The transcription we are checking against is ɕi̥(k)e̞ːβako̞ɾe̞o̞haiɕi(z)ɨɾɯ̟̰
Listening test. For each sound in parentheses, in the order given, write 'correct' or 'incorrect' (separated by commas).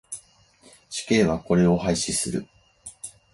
correct, incorrect